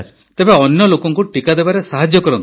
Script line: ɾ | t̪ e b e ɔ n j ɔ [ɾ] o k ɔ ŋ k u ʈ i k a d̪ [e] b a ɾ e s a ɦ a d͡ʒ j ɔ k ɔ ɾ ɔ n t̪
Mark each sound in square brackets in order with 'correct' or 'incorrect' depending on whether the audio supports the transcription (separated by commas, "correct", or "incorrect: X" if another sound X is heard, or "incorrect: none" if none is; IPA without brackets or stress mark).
incorrect: l, correct